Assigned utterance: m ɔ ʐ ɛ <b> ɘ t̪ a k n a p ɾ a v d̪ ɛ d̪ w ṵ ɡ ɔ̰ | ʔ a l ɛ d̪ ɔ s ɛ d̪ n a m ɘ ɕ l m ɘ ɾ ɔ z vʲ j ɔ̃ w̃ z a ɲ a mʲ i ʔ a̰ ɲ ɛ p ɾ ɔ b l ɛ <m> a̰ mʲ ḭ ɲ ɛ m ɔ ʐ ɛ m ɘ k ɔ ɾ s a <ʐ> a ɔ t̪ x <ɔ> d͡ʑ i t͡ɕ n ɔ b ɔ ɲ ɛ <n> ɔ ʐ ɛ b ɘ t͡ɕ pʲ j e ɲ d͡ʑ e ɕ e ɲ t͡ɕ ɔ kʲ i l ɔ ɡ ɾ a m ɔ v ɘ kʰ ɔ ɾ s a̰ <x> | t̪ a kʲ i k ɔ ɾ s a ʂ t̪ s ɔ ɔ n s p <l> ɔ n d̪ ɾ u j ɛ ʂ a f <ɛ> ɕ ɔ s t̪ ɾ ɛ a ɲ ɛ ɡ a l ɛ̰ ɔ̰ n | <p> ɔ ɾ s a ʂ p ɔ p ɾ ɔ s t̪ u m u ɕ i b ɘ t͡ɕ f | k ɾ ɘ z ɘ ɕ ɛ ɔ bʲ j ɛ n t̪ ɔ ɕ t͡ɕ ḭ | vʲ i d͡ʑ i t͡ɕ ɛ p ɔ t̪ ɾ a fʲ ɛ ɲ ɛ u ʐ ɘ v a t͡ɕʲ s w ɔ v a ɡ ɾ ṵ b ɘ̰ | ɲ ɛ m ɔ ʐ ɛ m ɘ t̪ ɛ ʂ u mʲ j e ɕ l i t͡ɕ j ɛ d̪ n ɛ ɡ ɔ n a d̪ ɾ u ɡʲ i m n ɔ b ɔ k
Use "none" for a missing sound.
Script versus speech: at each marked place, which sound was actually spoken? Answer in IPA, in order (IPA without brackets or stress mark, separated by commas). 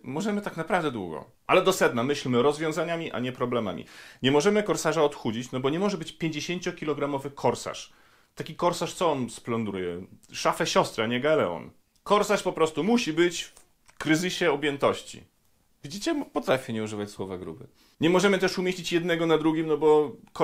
m, m, ʐ, u, m, ʂ, l, ɛ, k